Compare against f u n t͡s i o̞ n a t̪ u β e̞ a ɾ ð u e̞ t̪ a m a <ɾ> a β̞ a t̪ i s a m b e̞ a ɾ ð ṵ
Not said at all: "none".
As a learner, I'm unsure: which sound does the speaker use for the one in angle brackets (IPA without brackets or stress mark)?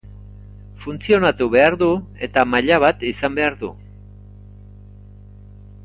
ʎ